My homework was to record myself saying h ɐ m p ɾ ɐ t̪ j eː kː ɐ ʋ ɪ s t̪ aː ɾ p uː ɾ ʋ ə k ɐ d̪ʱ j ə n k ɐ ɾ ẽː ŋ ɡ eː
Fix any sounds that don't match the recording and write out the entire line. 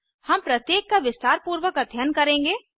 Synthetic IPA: h ɐ m p ɾ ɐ t̪ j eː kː a ʋ ɪ s t̪ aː ɾ p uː ɾ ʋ ə k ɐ d̪ʱ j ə n k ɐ ɾ ẽː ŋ ɡ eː